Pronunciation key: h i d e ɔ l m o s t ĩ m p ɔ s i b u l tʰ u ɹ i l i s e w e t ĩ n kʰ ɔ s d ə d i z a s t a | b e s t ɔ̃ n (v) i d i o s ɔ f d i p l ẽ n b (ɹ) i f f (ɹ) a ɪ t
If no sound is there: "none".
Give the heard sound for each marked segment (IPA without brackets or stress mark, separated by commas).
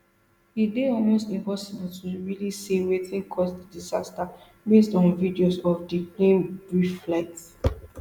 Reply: v, ɹ, l